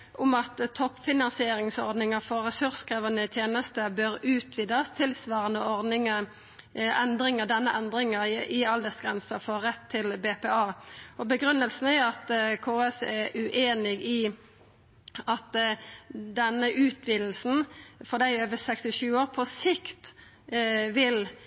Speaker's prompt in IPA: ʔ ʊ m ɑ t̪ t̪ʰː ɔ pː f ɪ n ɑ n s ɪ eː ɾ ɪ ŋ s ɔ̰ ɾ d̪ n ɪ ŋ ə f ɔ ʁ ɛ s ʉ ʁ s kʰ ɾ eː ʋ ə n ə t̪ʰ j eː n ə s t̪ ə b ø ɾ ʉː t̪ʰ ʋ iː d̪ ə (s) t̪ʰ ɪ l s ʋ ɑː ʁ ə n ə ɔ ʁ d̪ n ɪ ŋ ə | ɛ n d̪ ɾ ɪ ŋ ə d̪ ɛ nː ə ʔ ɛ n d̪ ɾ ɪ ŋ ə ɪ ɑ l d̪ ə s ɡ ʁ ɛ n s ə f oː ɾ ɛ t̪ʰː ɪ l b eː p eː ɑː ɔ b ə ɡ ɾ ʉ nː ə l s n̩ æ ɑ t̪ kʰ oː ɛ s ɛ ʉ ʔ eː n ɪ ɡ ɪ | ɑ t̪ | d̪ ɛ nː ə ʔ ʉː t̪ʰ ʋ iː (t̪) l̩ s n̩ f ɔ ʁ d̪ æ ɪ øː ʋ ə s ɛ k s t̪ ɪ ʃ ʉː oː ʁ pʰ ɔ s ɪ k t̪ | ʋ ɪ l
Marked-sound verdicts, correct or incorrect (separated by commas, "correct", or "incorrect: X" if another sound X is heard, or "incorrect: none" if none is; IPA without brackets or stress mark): correct, incorrect: d̪